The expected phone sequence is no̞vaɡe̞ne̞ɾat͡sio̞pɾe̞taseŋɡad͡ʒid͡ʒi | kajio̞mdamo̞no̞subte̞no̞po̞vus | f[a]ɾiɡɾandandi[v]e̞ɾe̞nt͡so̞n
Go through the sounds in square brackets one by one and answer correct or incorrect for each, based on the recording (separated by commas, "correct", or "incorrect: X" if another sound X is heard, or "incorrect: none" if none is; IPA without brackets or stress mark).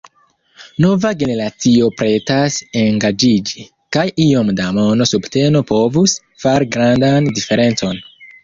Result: correct, incorrect: f